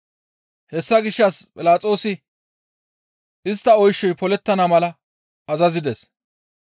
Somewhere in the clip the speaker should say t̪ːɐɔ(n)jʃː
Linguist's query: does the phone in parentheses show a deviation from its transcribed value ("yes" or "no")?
yes